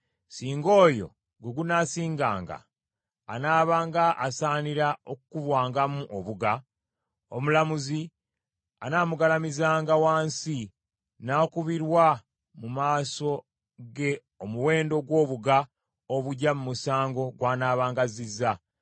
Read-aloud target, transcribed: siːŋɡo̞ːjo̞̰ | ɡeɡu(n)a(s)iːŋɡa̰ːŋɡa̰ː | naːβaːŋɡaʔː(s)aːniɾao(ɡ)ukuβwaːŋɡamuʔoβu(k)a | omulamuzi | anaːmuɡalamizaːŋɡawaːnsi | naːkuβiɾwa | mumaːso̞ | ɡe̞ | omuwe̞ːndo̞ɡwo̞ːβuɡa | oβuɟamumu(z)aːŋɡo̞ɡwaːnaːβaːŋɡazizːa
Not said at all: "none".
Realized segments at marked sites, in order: n, s, s, k, ɡ, s

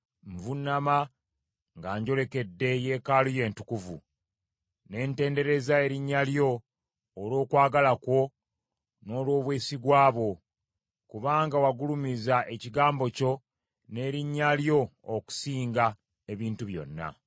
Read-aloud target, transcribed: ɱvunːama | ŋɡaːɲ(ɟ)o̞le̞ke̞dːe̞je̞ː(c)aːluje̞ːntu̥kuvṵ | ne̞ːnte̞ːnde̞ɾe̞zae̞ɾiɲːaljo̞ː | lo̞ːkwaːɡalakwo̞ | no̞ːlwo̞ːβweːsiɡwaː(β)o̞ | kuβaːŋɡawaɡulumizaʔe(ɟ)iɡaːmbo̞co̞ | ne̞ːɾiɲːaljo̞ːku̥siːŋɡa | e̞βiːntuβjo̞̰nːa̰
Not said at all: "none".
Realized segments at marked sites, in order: ɟ, k, β, c

